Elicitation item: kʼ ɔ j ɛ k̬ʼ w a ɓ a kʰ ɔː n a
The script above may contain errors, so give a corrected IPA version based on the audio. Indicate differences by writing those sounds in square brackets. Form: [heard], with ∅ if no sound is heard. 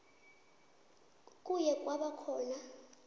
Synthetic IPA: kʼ [u] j ɛ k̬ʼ w a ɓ a kʰ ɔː n a